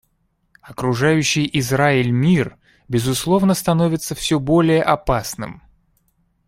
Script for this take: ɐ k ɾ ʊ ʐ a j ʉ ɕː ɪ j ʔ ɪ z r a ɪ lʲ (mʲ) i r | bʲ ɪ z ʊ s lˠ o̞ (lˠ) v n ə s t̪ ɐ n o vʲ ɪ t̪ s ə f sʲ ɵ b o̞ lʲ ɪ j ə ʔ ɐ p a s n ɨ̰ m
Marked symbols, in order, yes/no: yes, no

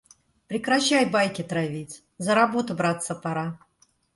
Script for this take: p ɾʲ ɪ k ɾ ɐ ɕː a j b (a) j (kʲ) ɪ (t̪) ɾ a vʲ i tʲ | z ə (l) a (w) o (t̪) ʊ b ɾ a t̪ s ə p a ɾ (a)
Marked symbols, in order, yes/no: yes, yes, yes, no, no, yes, yes

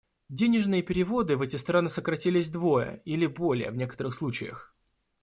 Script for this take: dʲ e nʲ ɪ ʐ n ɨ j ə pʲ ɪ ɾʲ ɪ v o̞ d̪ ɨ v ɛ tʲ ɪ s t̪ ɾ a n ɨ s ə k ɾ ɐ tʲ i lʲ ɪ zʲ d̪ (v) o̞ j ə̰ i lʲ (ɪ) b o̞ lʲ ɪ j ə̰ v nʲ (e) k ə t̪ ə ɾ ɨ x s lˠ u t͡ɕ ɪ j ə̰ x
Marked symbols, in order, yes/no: yes, yes, yes

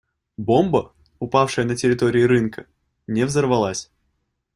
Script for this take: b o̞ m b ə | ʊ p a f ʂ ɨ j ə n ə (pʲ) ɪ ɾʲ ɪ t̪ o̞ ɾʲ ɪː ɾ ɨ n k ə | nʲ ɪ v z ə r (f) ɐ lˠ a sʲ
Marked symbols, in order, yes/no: no, no

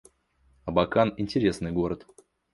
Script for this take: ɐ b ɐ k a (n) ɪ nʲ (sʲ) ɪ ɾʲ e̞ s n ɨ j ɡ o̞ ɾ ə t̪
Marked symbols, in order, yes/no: yes, no

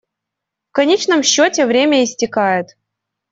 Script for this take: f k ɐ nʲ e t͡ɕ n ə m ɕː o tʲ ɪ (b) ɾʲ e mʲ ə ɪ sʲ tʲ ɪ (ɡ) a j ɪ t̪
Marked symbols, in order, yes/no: no, no

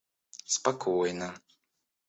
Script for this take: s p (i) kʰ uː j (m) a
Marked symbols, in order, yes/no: no, no

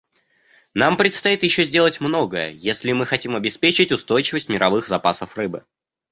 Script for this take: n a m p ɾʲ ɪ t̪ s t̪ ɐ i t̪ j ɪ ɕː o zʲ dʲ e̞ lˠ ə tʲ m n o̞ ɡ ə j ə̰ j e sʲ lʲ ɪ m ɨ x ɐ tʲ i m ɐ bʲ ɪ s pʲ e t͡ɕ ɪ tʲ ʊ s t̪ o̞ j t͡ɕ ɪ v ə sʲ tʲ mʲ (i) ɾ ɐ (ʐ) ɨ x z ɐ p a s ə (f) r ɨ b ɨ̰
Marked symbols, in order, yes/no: no, no, yes

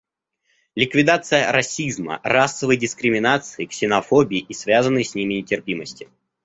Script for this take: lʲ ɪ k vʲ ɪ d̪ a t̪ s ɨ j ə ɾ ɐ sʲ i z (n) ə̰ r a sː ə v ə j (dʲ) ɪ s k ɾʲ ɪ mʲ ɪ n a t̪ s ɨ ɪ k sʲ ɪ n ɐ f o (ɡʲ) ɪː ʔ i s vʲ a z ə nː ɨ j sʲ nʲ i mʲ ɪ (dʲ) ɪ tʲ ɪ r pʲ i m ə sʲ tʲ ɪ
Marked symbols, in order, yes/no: no, yes, no, no

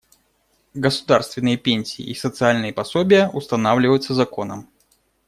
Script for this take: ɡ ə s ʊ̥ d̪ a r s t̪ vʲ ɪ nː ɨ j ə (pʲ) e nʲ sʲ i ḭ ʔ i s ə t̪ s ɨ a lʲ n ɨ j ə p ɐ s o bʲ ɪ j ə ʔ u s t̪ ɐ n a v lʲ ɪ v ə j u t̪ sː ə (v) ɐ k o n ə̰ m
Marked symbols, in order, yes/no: yes, no

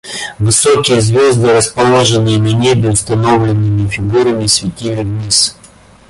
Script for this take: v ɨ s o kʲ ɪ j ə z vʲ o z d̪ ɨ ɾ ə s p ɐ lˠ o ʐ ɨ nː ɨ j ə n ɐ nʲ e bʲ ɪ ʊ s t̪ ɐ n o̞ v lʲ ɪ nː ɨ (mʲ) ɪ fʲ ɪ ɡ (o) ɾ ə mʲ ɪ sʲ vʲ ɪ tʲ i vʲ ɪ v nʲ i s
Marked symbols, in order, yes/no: yes, no

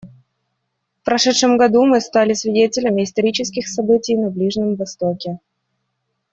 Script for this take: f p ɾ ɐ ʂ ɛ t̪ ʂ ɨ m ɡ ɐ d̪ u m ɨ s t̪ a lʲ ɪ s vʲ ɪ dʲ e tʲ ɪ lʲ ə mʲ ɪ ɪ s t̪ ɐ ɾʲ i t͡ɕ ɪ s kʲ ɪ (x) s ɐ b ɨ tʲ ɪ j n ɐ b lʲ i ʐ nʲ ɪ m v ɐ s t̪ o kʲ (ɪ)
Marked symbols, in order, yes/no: yes, yes

